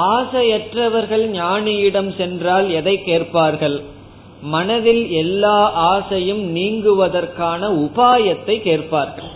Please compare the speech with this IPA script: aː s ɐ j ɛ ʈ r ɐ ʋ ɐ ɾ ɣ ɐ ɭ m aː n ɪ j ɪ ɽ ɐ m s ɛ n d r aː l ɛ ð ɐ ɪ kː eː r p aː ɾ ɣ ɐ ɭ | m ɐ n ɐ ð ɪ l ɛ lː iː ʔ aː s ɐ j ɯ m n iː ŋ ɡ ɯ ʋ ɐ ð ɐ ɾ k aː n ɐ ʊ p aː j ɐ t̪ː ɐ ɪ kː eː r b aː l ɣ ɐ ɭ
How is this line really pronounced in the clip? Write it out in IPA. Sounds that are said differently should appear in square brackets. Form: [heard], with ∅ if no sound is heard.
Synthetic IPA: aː s ɐ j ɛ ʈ r ɐ ʋ ɐ ɾ ɣ ɐ ɭ [ɲ] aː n ɪ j ɪ ɽ ɐ m s ɛ n d r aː l ɛ ð ɐ ɪ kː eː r p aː ɾ ɣ ɐ ɭ | m ɐ n ɐ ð ɪ l ɛ lː [aː] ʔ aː s ɐ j ɯ m n iː ŋ ɡ ɯ ʋ ɐ ð ɐ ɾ k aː n ɐ ʊ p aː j ɐ t̪ː ɐ ɪ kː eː r [p] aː [ɾ] ɣ ɐ ɭ